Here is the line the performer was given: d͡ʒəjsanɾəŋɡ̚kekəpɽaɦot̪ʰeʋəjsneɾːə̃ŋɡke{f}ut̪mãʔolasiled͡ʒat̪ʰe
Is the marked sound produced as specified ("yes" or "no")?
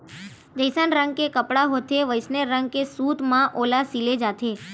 no